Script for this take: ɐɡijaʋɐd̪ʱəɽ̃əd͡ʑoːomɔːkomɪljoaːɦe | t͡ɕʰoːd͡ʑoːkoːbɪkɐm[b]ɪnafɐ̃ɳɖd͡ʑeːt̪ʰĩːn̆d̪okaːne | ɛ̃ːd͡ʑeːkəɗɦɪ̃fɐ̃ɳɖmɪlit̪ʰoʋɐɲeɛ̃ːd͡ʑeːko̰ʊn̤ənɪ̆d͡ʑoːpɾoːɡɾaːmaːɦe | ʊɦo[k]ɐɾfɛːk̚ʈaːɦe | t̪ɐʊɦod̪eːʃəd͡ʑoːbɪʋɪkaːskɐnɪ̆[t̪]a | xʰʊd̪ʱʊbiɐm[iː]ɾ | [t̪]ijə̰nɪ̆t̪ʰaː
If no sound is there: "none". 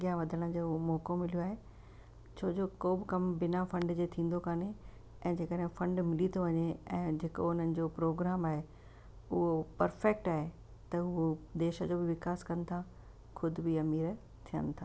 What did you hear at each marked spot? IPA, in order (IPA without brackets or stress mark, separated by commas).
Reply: b, p, t̪ʰ, iː, t̪ʰ